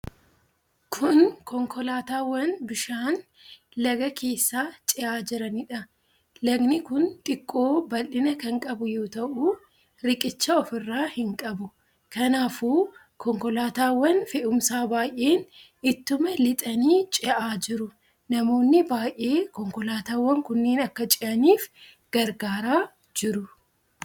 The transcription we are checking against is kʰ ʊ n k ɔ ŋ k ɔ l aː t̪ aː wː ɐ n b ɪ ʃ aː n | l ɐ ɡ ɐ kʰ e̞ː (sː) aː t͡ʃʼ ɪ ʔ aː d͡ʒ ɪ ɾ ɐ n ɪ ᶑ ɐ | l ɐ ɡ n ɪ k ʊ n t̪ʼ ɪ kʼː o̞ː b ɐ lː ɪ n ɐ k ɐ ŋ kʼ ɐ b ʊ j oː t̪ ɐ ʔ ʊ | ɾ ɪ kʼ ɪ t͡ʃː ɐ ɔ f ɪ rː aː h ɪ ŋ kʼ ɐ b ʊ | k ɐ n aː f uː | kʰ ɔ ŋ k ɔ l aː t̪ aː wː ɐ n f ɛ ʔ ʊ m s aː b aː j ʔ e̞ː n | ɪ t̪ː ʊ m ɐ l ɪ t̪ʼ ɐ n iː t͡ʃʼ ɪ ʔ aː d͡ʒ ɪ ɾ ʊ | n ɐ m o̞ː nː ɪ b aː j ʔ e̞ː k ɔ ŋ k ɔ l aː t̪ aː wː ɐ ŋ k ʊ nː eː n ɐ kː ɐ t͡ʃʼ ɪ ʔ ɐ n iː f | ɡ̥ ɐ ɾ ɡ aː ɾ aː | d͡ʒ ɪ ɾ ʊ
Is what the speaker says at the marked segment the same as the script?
yes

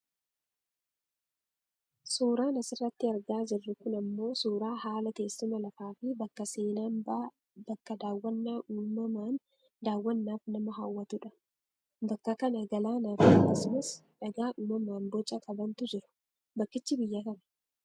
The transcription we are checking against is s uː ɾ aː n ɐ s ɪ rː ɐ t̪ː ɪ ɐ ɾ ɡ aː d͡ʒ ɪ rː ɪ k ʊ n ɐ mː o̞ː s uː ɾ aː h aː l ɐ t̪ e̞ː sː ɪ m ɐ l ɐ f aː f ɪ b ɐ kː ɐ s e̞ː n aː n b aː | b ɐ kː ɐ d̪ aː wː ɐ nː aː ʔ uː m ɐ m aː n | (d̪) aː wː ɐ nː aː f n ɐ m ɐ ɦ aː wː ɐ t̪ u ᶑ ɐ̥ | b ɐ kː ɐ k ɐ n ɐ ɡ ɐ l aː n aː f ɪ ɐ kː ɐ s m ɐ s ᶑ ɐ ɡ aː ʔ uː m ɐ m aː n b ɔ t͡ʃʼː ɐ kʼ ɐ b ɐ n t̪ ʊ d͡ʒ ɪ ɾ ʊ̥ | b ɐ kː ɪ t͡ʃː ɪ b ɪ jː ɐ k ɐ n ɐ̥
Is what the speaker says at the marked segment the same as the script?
yes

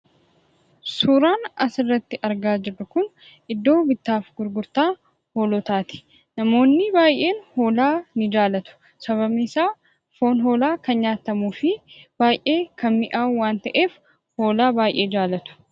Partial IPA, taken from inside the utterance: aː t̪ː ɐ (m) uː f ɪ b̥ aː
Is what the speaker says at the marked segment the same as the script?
yes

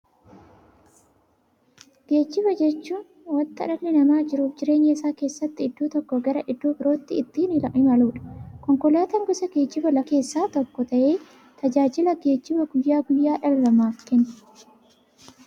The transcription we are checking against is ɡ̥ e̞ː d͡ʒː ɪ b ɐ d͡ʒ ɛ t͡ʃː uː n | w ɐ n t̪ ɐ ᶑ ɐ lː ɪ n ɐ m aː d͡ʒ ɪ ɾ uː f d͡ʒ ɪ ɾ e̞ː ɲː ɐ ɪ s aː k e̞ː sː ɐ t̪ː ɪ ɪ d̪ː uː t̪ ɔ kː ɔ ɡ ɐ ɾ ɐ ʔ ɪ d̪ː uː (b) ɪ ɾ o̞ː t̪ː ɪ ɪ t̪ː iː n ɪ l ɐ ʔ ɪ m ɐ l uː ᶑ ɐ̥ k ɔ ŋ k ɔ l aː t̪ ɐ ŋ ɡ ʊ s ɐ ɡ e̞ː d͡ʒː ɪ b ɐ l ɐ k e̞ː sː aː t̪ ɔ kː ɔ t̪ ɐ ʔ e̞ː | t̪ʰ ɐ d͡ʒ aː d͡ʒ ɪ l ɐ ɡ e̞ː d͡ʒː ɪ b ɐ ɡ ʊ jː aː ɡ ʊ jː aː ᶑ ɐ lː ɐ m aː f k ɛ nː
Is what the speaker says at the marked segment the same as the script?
yes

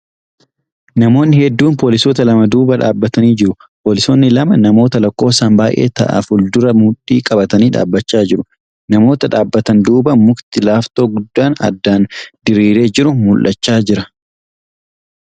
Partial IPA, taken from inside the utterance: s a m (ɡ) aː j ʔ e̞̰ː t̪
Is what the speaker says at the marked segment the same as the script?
no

